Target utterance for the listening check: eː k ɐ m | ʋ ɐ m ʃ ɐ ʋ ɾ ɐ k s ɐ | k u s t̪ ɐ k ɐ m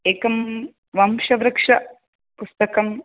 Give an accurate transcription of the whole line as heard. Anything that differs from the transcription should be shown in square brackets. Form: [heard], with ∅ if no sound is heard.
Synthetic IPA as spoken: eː k ɐ m | ʋ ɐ m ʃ ɐ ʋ ɾ ɐ k [ʂ] ɐ | [p] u s t̪ ɐ k ɐ m

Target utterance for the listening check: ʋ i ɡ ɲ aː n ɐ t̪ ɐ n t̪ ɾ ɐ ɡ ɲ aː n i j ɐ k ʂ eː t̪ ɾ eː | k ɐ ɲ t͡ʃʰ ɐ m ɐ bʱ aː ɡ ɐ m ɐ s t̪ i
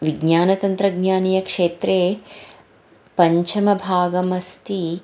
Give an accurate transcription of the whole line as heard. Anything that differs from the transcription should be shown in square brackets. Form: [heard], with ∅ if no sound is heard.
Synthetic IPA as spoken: ʋ i ɡ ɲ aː n ɐ t̪ ɐ n t̪ ɾ ɐ ɡ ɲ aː n i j ɐ k ʂ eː t̪ ɾ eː | [p] ɐ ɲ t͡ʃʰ ɐ m ɐ bʱ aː ɡ ɐ m ɐ s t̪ i

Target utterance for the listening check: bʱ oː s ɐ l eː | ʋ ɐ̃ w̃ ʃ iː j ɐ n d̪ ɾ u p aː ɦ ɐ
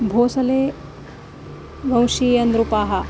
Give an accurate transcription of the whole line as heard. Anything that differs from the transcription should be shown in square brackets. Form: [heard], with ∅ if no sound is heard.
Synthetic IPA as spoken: bʱ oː s ɐ l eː | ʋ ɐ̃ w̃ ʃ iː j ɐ n d̪ ɾ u p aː ɦ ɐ

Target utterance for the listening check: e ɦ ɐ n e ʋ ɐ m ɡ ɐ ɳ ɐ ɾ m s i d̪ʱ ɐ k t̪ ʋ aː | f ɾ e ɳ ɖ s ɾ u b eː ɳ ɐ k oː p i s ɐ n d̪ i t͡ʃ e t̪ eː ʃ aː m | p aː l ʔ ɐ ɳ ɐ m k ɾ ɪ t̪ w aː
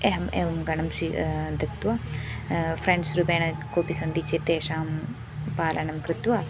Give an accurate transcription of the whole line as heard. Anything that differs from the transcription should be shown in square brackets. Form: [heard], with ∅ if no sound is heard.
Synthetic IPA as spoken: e ɦ ɐ [m] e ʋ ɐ m ɡ ɐ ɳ ɐ [∅] m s i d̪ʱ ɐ k t̪ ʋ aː | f ɾ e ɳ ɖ s ɾ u b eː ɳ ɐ k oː p i s ɐ n d̪ i t͡ʃ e t̪ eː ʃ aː m | p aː l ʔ ɐ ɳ ɐ m k ɾ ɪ t̪ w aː

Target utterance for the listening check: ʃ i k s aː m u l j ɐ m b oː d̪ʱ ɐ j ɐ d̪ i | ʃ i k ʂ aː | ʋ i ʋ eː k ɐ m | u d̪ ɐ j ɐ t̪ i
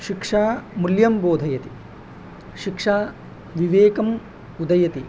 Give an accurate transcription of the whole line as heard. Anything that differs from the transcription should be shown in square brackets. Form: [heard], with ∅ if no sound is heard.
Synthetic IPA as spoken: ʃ i k [ʂ] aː m u l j ɐ m b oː d̪ʱ ɐ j ɐ [t̪] i | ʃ i k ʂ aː | ʋ i ʋ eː k ɐ m | u d̪ ɐ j ɐ t̪ i

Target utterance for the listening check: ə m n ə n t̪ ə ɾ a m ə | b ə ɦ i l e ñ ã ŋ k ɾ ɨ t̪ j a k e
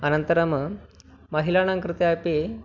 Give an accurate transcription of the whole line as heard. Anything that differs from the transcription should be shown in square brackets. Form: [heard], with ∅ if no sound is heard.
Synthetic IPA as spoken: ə [∅] n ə n t̪ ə ɾ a m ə | [m] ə ɦ i l [a] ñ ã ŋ k ɾ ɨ t̪ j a [p] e

